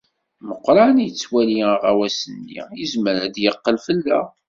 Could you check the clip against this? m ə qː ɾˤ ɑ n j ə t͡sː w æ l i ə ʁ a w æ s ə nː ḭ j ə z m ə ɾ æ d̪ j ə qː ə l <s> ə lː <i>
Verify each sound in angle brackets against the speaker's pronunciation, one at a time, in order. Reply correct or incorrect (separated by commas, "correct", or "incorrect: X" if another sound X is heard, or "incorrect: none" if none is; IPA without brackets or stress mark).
incorrect: f, incorrect: æ